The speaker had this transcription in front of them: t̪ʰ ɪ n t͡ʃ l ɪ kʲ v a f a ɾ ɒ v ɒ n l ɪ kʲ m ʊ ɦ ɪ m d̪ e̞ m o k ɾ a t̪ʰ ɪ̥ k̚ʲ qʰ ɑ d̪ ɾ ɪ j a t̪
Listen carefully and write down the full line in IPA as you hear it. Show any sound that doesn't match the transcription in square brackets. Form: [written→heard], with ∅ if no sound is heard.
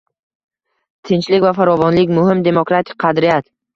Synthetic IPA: t̪ʰ ɪ n t͡ʃ l ɪ kʲ v a f a ɾ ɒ v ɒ n l ɪ kʲ m ʊ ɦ ɪ m d̪ e̞ m o k ɾ a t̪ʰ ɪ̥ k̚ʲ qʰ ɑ d̪ ɾ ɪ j a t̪